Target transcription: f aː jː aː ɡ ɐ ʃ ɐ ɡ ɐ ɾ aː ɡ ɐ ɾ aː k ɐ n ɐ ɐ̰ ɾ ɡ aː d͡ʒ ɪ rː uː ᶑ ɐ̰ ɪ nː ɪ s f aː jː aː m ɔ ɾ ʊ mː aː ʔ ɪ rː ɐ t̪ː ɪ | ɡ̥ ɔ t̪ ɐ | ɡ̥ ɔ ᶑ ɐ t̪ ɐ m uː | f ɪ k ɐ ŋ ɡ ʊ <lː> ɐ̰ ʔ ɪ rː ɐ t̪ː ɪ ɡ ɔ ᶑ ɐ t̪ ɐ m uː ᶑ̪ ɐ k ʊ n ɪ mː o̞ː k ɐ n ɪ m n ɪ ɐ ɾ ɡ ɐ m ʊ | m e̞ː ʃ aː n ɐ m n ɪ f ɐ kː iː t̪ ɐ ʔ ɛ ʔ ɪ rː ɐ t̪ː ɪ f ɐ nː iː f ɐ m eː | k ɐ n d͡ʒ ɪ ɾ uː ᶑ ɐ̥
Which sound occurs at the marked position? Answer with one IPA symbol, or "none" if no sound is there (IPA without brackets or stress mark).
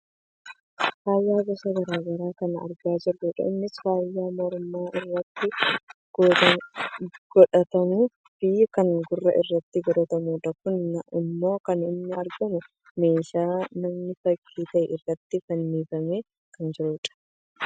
rː